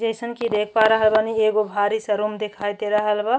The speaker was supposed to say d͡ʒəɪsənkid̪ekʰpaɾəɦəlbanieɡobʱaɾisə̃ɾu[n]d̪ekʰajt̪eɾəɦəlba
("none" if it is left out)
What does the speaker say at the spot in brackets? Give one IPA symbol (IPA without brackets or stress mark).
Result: m